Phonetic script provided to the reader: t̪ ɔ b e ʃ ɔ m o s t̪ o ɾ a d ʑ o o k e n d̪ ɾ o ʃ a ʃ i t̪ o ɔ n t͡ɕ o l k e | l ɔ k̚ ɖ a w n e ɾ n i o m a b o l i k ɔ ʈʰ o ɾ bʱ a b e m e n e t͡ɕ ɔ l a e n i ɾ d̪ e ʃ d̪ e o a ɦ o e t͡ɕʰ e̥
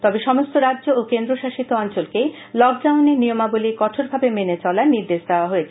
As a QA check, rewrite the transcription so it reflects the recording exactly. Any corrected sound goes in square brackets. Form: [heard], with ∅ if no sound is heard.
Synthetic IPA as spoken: t̪ ɔ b e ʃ ɔ m o s t̪ o ɾ a d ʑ o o k e n d̪ ɾ o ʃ a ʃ i t̪ o ɔ n t͡ɕ o l k e | l ɔ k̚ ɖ a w n e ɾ n i o m a b o l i k ɔ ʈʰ o ɾ bʱ a b e m e n e t͡ɕ ɔ l a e n i ɾ d̪ e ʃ d̪ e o a ɦ o e t͡ɕʰ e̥